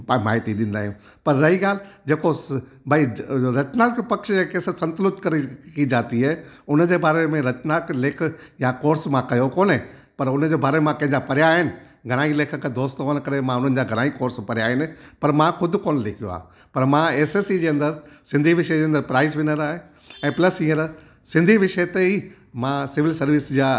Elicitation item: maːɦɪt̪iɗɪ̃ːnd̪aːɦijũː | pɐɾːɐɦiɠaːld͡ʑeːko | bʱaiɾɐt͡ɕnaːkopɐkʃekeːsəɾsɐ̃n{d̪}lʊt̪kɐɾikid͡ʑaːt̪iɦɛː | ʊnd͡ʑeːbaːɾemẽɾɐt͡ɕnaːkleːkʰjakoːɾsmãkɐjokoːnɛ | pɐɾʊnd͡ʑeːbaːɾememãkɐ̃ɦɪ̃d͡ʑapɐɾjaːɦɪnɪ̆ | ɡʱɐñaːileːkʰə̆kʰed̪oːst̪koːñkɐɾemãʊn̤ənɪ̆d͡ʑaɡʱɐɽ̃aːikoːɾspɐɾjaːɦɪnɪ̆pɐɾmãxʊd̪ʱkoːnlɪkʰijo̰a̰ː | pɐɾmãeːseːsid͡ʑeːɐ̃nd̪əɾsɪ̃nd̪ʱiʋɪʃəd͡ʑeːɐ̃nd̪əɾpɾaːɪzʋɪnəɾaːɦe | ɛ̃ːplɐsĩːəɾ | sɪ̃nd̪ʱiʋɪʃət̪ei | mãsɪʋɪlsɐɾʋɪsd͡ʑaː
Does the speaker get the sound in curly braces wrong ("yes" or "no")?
yes